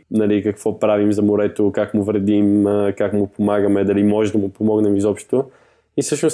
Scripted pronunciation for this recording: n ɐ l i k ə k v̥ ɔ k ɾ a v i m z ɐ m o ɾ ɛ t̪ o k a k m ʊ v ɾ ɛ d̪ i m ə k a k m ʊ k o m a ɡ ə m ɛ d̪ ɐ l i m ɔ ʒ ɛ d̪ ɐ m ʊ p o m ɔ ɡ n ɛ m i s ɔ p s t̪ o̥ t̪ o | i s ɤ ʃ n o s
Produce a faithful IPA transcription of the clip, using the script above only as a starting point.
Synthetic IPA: n ɐ l i k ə k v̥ ɔ p ɾ a v i m z ɐ m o ɾ ɛ t̪ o k a k m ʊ v ɾ ɛ d̪ i m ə k a k m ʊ p o m a ɡ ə m ɛ d̪ ɐ l i m ɔ ʒ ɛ d̪ ɐ m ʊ p o m ɔ ɡ n ɛ m i z ɔ p ʃ t̪ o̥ t̪ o | i s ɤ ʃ n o s